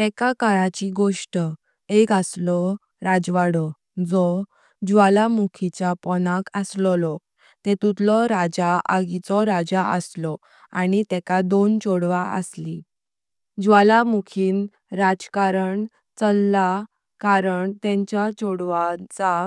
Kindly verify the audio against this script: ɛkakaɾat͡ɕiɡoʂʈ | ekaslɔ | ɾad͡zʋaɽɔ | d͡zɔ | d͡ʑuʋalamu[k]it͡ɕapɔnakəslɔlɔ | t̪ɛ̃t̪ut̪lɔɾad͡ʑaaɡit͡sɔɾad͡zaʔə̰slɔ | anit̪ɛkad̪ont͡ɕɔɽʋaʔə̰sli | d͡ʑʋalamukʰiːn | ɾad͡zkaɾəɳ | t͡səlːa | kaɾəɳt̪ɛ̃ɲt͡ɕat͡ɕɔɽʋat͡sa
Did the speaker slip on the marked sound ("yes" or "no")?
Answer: yes